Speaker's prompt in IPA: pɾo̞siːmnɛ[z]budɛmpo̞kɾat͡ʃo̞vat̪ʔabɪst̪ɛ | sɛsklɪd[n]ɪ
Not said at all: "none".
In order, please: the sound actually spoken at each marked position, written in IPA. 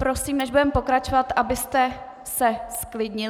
ʒ, ɲ

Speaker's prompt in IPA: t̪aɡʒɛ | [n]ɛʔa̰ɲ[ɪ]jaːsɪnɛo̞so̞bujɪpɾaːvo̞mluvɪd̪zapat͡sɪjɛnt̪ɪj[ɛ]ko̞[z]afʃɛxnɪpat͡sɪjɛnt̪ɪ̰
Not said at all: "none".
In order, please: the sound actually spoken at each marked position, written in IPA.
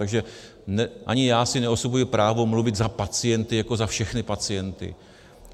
n, ɪ, a, z

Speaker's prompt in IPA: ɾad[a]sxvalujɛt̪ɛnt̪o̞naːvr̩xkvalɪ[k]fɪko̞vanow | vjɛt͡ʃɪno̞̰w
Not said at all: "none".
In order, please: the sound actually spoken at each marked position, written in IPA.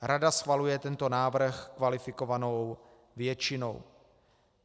a, none

